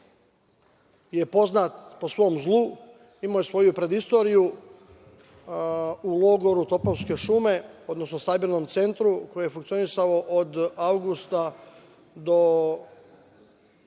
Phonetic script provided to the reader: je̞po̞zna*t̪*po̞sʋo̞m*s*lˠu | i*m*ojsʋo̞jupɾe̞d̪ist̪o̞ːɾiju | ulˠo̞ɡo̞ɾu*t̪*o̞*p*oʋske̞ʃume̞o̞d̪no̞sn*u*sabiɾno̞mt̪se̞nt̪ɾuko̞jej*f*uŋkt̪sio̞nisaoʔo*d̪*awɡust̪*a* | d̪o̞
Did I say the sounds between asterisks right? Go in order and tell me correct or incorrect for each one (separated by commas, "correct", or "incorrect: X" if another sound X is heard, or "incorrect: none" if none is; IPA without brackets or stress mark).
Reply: correct, incorrect: z, correct, correct, correct, incorrect: o, correct, correct, correct